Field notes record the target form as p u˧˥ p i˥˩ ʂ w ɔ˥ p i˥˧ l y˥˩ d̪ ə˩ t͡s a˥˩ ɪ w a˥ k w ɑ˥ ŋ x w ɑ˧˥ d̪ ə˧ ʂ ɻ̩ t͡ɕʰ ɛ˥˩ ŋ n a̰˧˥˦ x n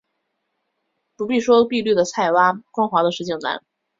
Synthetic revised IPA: p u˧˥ p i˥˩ ʂ w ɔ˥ p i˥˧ l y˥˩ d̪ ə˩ t͡sʰ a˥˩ ɪ w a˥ k w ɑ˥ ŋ x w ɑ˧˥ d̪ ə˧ ʂ ɻ̩ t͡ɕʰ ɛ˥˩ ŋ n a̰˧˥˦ n